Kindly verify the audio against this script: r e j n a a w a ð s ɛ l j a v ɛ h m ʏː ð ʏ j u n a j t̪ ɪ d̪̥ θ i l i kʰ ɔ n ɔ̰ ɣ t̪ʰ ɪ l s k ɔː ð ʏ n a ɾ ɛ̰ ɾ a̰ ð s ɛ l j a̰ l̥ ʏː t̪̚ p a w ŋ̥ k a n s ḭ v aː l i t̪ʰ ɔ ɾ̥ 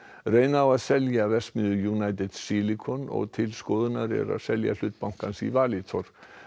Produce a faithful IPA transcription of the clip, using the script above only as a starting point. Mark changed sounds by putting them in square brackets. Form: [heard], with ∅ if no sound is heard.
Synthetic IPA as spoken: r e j n a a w a ð s ɛ l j a v ɛ [s] m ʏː ð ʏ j u n a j t̪ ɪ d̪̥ [s] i l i kʰ ɔ n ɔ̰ ɣ t̪ʰ ɪ l s k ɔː ð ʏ n a ɾ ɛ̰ ɾ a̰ ð s ɛ l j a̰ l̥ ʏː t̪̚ p a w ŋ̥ k a n s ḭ v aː l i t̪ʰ ɔ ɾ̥